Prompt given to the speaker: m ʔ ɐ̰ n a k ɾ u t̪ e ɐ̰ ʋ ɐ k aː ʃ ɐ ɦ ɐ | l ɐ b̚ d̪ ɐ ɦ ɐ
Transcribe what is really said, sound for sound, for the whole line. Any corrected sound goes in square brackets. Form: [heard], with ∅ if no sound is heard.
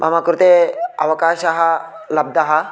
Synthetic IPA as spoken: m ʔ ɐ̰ [m] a k ɾ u t̪ e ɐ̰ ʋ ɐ k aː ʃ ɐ ɦ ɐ | l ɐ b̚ d̪ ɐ ɦ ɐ